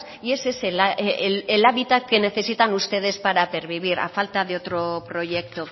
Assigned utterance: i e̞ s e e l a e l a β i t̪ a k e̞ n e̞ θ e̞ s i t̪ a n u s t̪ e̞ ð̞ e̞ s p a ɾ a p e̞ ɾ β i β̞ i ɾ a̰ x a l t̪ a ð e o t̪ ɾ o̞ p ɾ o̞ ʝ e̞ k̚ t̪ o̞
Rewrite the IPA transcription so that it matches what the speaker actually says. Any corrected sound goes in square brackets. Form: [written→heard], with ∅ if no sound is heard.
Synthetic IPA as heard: i e̞ s e e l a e l a β i t̪ a k e̞ n e̞ θ e̞ s i t̪ a n u s t̪ e̞ ð̞ e̞ s p a ɾ a p e̞ ɾ β i β̞ i ɾ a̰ [x→f] a l t̪ a ð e o t̪ ɾ o̞ p ɾ o̞ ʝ e̞ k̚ t̪ o̞

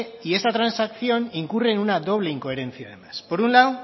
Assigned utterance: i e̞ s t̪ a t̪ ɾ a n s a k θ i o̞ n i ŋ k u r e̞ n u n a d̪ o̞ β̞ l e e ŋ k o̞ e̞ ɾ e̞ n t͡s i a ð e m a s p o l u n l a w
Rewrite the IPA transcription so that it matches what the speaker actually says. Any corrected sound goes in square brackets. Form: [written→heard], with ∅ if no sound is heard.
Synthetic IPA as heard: i e̞ s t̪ a t̪ ɾ a n s a k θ i o̞ n i ŋ k u r e̞ n u n a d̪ o̞ β̞ l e [e→i] ŋ k o̞ e̞ ɾ e̞ n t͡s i a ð e m a s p o [l→ɾ] u n l a w

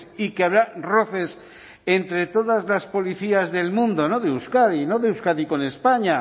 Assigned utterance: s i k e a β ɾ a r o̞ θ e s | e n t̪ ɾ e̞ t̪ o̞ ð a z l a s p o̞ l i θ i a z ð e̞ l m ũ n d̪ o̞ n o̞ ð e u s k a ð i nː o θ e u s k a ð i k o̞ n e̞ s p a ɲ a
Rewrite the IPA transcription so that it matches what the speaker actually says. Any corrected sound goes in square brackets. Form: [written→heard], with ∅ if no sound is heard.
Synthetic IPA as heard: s i k e a β ɾ a r o̞ θ e s | e n t̪ ɾ e̞ t̪ o̞ ð a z l a s p o̞ l i θ i a z ð e̞ l m ũ n d̪ o̞ n o̞ ð e u s k a ð i [nː→n] o [θ→ð] e u s k a ð i k o̞ n e̞ s p a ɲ a

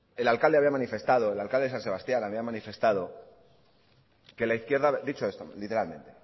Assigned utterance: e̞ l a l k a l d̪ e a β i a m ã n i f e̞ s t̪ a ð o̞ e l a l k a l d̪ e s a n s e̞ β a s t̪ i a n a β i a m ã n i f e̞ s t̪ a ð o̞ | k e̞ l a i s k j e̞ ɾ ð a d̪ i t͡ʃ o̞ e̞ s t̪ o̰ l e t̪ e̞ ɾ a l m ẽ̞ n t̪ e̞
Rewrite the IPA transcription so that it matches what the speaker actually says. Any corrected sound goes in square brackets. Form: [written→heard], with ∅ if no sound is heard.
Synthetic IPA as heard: e̞ l a l k a l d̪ e a β i a m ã n i f e̞ s t̪ a ð o̞ e l a l k a l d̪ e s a n s e̞ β a s t̪ [i→j] a n a β i a m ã n i f e̞ s t̪ a ð o̞ | k e̞ l a i [s→θ] k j e̞ ɾ ð a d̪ i t͡ʃ o̞ e̞ s t̪ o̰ l [e→i] t̪ e̞ ɾ a l m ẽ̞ n t̪ e̞

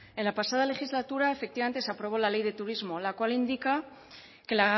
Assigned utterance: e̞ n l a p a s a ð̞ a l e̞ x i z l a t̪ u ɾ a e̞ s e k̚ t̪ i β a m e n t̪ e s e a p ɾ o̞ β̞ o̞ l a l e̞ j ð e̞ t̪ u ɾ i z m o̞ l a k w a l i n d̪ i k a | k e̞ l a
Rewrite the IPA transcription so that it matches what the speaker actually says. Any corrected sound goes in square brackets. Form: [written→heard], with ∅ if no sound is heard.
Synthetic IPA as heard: e̞ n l a p a s a ð̞ a l e̞ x i z l a t̪ u ɾ a e̞ [s→f] e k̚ t̪ i β a m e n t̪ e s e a p ɾ o̞ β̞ o̞ l a l e̞ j ð e̞ t̪ u ɾ i z m o̞ l a k w a l i n d̪ i k a | k e̞ l a

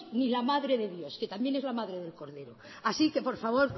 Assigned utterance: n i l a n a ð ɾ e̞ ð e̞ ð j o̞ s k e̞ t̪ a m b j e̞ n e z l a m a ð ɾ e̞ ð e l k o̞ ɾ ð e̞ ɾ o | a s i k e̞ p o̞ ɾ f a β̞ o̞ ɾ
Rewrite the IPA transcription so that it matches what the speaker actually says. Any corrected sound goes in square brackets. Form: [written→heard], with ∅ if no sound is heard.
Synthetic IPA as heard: n i l a [n→m] a ð ɾ e̞ ð e̞ ð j o̞ s k e̞ t̪ a m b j e̞ n e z l a m a ð ɾ e̞ ð e l k o̞ ɾ ð e̞ ɾ o | a s i k e̞ p o̞ ɾ f a β̞ o̞ ɾ

